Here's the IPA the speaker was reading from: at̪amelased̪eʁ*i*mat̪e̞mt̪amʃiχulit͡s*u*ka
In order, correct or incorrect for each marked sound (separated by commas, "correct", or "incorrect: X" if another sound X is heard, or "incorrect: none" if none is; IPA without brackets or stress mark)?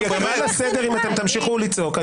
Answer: correct, incorrect: o